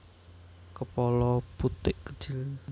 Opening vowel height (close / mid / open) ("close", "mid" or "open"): mid